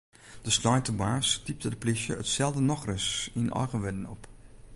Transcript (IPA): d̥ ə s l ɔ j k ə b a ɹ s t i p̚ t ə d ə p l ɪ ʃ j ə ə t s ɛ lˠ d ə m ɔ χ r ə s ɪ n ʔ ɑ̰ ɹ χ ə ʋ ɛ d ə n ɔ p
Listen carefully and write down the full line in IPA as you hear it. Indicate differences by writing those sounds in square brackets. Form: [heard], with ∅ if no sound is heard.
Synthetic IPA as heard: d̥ ə s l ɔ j [t] ə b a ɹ s t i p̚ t ə d ə p l ɪ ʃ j ə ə t s ɛ lˠ d ə [n] ɔ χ r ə s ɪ n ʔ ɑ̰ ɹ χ ə ʋ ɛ d ə n ɔ p